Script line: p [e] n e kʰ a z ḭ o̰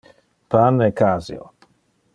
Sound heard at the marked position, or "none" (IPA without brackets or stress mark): a